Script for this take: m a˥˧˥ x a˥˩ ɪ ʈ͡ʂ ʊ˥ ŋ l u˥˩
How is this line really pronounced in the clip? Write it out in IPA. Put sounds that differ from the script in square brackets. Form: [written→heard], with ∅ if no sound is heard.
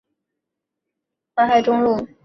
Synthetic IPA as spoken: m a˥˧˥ x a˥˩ ɪ ʈ͡ʂ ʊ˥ ŋ l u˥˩